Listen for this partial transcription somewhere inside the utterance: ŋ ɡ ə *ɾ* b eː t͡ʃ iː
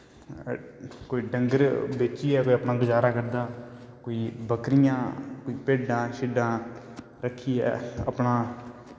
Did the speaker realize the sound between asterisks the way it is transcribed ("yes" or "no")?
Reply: yes